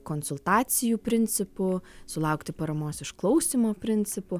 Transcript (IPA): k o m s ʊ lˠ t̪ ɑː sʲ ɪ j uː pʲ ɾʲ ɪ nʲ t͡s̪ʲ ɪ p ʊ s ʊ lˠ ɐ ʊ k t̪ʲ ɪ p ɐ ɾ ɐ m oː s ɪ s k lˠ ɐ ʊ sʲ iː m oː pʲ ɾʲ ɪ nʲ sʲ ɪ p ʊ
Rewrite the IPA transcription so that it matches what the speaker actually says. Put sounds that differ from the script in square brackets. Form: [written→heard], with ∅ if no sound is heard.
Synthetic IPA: k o [m→n] s ʊ lˠ t̪ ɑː sʲ ɪ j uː pʲ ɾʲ ɪ nʲ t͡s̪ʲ ɪ p ʊ s ʊ lˠ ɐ ʊ k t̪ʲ ɪ p ɐ ɾ ɐ m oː s ɪ [s→ʃ] k lˠ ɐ ʊ sʲ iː m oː pʲ ɾʲ ɪ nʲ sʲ ɪ p ʊ

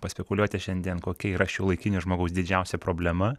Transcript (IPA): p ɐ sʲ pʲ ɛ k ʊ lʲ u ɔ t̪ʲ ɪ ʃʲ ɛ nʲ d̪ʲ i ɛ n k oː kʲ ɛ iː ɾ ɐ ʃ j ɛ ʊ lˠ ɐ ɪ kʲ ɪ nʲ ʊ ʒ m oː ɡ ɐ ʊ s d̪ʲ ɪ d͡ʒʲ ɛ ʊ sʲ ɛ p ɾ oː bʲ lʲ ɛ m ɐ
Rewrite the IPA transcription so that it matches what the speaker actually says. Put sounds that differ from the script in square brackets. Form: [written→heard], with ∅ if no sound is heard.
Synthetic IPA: p ɐ sʲ pʲ ɛ k ʊ lʲ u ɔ t̪ʲ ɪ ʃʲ ɛ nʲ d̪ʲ i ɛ n k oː kʲ ɛ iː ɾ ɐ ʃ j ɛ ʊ lˠ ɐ ɪ kʲ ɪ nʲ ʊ ʒ m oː ɡ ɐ ʊ s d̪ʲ ɪ d͡ʒʲ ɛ ʊ sʲ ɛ p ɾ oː bʲ lʲ ɛ m ɐ

